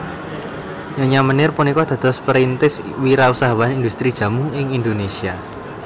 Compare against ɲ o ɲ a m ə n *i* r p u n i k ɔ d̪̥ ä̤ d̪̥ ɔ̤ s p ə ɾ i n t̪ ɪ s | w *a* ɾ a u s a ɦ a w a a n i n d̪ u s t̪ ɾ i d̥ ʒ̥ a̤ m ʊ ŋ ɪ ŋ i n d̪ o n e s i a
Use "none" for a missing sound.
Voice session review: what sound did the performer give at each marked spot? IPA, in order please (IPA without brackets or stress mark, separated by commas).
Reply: ɪ, i